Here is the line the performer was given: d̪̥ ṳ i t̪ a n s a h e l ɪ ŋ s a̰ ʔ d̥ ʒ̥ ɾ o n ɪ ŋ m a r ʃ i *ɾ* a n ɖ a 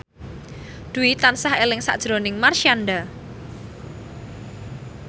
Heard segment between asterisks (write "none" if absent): none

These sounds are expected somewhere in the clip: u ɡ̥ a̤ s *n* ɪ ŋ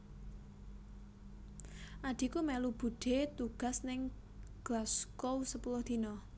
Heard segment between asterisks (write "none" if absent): n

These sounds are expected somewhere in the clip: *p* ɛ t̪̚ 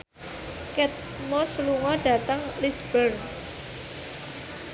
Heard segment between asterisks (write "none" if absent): k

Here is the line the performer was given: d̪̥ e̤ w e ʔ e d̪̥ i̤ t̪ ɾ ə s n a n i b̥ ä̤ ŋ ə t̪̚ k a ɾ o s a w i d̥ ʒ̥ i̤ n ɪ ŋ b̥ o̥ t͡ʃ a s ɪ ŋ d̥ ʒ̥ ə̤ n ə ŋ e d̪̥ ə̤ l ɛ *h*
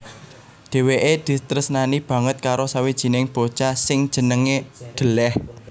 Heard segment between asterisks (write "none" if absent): h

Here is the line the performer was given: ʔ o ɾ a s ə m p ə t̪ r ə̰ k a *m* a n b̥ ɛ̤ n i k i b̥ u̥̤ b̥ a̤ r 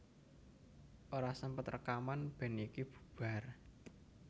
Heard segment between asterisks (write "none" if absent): m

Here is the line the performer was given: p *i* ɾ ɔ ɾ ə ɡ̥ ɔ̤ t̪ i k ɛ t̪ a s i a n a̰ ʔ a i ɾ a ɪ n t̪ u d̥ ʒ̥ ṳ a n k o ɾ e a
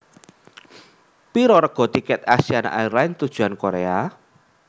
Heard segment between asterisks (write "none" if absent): i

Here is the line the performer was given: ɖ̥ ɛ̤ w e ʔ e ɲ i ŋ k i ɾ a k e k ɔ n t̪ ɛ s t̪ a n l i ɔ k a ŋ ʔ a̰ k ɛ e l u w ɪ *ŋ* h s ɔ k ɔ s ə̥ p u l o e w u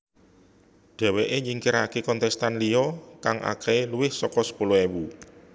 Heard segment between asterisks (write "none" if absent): none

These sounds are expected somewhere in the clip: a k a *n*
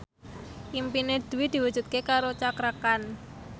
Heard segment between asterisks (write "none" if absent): n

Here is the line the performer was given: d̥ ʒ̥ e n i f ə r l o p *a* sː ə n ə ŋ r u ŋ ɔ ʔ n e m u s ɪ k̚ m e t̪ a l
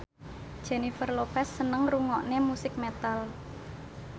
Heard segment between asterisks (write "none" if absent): ɛ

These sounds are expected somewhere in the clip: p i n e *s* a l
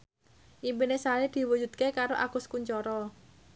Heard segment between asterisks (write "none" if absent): s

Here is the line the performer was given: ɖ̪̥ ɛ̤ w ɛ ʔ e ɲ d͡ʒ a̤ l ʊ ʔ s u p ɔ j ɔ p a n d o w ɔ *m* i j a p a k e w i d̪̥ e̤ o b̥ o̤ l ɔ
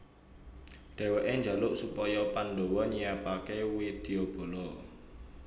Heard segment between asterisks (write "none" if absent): ɲ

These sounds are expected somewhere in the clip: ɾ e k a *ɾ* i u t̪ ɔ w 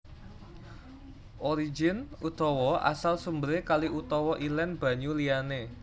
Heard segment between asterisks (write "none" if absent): l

